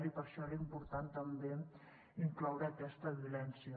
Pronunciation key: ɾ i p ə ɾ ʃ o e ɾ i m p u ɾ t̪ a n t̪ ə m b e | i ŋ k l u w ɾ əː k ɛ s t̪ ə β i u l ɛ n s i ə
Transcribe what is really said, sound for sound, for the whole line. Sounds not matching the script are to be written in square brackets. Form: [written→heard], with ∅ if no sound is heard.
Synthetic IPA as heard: ɾ i p ə ɾ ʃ [o→ɔ] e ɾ i m p u ɾ t̪ a n t̪ ə m b e | i ŋ k l [u→ɔ] w ɾ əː k ɛ s t̪ ə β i u l ɛ n s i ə